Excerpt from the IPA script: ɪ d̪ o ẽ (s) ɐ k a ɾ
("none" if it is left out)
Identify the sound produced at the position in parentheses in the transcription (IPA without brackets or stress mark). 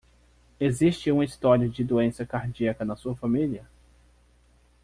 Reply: s